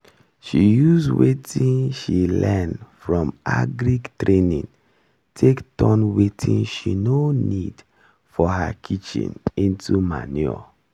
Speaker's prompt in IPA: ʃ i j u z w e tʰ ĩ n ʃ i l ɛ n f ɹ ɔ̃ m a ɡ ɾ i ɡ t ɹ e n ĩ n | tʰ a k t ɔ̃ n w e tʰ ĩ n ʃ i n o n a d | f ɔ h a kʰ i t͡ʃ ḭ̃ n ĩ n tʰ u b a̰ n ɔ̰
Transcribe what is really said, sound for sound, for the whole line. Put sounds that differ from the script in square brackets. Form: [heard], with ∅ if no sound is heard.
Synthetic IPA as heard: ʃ i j u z w e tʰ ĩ n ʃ i l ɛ n f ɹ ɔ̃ m a ɡ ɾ i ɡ t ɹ e n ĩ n | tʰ [e] k t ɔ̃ n w e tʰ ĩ n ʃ i n o n [i] d | f ɔ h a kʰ i t͡ʃ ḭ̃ n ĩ n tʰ u [m] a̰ n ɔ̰